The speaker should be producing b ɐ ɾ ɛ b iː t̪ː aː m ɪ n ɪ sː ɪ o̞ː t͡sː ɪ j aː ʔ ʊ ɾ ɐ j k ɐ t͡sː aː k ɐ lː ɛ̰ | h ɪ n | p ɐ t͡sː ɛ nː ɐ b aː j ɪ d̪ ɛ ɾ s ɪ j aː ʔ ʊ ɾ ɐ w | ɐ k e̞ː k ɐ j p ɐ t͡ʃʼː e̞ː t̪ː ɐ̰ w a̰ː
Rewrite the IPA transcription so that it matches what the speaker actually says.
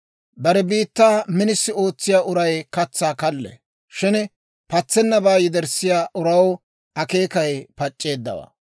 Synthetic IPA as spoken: b ɐ ɾ ɛ b iː t̪ː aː m ɪ n ɪ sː ɪ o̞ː t͡sː ɪ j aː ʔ ʊ ɾ ɐ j k ɐ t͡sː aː k ɐ lː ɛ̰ | ʃ ɪ n | p ɐ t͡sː ɛ nː ɐ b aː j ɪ d̪ ɛ ɾ s ɪ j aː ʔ ʊ ɾ ɐ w | ɐ k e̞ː k ɐ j p ɐ t͡ʃʼː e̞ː d̪ː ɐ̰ w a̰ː

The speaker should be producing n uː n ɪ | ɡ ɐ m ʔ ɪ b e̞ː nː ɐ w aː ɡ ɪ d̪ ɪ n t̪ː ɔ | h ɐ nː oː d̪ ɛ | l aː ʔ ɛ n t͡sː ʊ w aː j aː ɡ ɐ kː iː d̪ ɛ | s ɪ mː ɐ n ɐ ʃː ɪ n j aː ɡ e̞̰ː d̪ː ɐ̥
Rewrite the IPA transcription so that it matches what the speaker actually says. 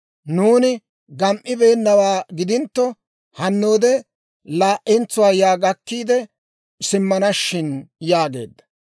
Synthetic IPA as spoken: n uː n ɪ | ɡ ɐ m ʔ ɪ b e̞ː nː ɐ w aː ɡ ɪ d̪ ɪ n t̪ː ɔ | h ɐ nː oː d̪ ɛ | l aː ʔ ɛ n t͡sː ʊ w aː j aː ɡ ɐ kː iː d̪ ɛ | s ɪ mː ɐ n ɐ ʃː ɪ n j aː ɡ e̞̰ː d̪ː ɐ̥

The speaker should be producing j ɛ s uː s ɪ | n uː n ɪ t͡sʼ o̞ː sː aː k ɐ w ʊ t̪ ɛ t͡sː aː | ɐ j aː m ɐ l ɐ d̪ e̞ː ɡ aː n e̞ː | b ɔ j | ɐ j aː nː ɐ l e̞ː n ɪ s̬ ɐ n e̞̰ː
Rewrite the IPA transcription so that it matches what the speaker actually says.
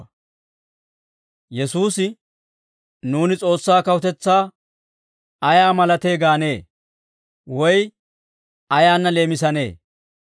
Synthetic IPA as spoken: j ɛ s uː s ɪ | n uː n ɪ t͡sʼ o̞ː sː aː k ɐ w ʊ t̪ ɛ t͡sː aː | ɐ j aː m ɐ l ɐ t̪ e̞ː ɡ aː n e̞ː | w ɔ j | ɐ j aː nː ɐ l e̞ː m ɪ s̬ ɐ n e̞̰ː

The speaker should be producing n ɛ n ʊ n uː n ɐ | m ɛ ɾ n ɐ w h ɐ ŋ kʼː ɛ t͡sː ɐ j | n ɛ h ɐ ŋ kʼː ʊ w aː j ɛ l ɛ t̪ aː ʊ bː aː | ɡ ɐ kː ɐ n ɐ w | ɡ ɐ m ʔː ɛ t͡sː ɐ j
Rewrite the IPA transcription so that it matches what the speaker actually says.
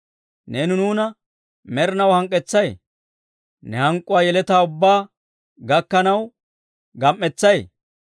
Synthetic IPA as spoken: n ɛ n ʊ n uː n ɐ | m ɛ ɾ n ɐ w h ɐ ŋ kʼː ɛ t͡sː ɐ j | n ɛ h ɐ ŋ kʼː ʊ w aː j ɛ l ɛ t̪ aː ʊ bː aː | ɡ ɐ kː ɐ n ɐ w | ɡ ɐ m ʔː ɛ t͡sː ɐ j

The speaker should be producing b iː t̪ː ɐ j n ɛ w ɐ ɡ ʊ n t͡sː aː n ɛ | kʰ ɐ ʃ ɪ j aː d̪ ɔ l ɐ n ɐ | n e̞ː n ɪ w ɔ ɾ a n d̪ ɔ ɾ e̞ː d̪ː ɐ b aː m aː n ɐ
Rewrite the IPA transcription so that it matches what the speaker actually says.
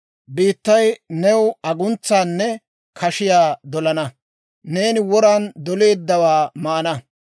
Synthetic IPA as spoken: b iː t̪ː ɐ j n ɛ w ɐ ɡ ʊ n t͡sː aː nː ɛ | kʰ ɐ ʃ ɪ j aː d̪ ɔ l ɐ n ɐ | n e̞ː n ɪ w ɔ ɾ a n d̪ ɔ l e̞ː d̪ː ɐ w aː m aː n ɐ

